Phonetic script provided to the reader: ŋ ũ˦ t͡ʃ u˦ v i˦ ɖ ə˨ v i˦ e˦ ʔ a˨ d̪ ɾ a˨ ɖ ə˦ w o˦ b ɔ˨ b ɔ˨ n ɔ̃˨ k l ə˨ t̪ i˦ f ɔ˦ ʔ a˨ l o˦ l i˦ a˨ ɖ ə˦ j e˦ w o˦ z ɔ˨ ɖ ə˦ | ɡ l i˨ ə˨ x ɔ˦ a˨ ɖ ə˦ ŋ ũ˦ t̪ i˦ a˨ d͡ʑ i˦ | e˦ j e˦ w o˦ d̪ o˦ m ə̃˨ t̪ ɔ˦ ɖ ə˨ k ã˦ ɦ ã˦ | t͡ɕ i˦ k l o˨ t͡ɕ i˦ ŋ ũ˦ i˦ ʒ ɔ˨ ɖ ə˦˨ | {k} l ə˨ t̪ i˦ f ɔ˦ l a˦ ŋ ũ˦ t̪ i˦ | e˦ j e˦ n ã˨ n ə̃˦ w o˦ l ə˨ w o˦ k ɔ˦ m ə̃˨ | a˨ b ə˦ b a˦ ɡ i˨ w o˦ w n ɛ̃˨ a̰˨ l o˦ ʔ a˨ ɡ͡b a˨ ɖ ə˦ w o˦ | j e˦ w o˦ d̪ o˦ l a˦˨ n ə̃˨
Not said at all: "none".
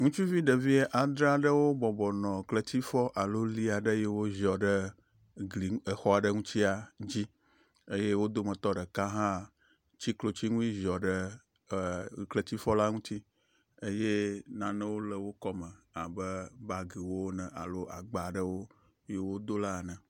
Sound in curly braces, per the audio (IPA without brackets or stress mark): k